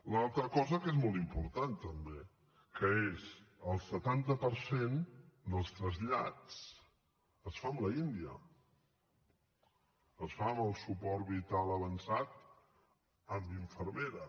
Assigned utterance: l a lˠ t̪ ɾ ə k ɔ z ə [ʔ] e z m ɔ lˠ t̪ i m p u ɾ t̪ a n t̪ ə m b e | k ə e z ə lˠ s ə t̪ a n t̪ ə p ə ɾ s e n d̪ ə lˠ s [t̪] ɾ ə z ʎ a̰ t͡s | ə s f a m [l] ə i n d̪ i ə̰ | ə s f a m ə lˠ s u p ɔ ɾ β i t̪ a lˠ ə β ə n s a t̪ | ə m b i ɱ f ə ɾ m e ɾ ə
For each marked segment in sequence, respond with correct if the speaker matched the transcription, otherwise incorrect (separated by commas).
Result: incorrect, correct, correct